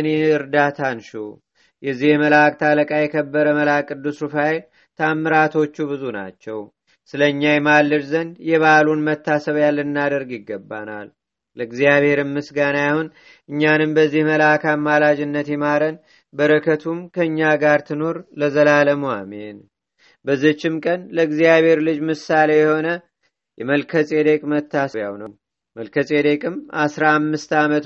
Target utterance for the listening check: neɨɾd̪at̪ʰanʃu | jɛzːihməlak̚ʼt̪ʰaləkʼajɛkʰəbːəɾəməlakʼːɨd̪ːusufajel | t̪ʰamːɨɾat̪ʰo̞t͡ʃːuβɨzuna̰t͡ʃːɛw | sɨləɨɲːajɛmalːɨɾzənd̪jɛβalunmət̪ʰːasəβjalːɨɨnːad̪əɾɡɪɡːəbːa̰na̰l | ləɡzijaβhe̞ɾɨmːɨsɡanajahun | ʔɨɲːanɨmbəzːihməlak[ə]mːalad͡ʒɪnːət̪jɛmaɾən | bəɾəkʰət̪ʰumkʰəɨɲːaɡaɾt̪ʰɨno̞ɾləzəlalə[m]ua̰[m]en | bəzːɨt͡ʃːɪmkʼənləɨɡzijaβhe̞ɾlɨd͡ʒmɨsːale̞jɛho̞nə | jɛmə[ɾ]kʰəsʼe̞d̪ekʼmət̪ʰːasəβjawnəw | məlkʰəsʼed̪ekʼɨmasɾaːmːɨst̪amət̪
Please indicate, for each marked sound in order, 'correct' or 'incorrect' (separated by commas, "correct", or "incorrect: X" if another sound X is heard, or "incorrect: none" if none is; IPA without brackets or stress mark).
incorrect: a, correct, correct, incorrect: l